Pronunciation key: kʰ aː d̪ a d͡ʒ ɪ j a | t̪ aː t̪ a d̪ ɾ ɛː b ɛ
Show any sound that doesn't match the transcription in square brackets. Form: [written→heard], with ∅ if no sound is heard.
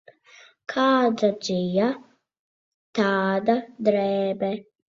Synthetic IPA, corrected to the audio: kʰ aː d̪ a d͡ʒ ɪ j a | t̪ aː [t̪→d̪] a d̪ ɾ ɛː b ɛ